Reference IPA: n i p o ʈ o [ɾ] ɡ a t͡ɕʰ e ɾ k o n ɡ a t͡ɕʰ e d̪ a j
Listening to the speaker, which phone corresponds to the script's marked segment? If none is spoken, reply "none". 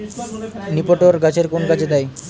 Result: ɾ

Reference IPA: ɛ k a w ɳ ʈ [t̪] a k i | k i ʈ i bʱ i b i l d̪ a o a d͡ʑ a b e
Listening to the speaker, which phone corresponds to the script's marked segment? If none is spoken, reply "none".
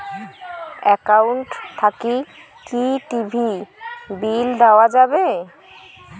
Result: t̪ʰ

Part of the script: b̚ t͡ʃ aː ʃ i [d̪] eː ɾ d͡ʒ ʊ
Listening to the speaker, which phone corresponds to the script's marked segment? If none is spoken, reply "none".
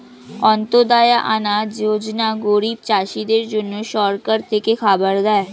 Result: d̪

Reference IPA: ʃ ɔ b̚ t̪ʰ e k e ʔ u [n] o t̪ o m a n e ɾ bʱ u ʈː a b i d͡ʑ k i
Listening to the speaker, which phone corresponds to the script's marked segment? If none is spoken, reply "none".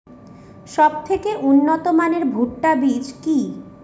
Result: nː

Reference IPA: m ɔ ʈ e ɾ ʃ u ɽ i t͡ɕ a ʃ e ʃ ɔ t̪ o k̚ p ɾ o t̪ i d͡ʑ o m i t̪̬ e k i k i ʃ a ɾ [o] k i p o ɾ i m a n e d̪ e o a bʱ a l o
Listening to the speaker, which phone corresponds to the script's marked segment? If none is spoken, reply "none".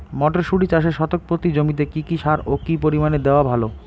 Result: o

